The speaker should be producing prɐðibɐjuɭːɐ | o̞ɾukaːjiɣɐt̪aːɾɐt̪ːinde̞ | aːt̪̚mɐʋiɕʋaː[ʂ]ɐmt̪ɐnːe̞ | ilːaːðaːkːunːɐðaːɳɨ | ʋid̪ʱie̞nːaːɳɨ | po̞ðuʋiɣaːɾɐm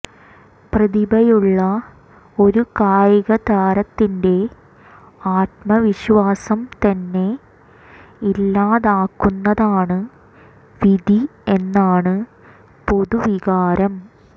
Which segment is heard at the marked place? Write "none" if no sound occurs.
s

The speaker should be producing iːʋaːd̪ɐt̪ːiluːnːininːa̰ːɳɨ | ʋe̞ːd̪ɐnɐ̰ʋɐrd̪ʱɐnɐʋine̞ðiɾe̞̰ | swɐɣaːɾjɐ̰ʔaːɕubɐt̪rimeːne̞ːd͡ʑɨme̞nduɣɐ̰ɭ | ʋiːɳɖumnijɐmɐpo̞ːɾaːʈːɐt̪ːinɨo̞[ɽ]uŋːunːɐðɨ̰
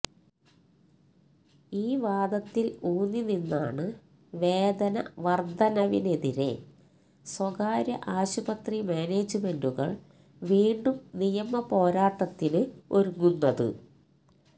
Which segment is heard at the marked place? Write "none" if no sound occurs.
ɾ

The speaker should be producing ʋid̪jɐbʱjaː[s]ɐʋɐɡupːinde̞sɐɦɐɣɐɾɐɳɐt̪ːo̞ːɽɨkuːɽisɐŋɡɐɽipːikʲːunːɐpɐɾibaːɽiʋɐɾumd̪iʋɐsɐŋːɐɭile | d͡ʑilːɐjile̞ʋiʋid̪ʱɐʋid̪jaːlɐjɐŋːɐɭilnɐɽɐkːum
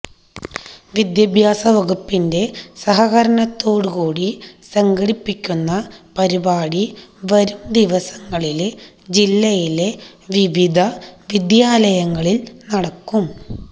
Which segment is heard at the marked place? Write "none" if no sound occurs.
s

